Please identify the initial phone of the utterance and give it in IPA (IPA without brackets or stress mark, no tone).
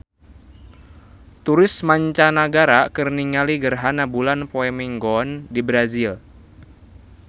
t̪